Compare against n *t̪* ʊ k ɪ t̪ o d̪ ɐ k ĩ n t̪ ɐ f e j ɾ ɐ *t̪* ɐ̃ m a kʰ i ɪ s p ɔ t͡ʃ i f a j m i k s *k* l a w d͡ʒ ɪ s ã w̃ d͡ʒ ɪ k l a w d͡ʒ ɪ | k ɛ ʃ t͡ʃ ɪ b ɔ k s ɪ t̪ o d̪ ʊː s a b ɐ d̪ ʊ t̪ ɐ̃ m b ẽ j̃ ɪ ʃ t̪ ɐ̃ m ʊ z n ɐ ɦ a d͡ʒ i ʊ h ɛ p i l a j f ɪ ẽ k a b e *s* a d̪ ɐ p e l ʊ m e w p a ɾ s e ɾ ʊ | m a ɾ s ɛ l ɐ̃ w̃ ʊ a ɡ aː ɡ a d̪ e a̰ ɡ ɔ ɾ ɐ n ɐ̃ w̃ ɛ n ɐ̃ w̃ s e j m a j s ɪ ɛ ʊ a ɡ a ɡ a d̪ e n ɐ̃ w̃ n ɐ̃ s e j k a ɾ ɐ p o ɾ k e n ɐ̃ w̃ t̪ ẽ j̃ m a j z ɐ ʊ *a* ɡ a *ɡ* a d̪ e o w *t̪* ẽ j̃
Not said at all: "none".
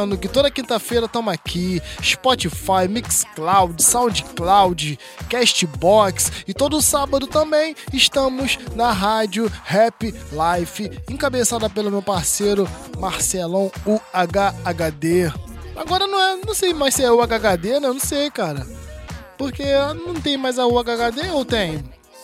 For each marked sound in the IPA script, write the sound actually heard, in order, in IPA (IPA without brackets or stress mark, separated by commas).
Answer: d̪, t̪, k, s, a, ɡ, t̪